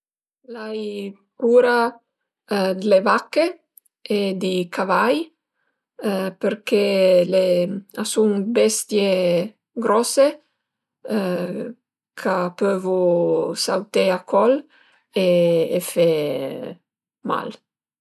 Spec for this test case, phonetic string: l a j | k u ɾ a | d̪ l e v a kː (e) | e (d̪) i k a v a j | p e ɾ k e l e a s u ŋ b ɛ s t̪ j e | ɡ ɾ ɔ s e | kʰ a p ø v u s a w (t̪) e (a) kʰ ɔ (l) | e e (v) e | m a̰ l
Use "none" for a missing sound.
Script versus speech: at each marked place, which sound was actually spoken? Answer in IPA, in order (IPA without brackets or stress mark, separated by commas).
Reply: e, d̪, t̪, a, l, f